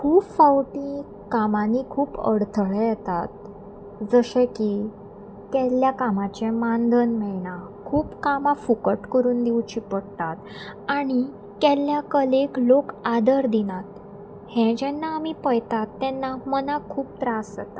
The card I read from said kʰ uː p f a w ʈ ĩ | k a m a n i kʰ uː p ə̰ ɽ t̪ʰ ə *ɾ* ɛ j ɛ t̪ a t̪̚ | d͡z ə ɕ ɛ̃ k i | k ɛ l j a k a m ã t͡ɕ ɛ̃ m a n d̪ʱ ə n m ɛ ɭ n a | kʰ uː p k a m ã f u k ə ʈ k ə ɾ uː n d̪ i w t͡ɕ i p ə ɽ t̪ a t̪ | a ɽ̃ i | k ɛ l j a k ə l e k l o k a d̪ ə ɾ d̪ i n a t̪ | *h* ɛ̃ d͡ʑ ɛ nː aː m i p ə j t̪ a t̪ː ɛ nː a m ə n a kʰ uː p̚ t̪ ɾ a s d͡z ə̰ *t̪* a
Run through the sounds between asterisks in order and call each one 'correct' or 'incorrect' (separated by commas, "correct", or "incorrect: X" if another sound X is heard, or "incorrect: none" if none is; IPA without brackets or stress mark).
incorrect: ɭ, correct, correct